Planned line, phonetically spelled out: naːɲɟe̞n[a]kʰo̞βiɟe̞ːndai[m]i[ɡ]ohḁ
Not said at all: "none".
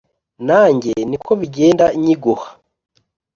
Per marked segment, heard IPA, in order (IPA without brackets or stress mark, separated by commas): i, ɲ, ɡ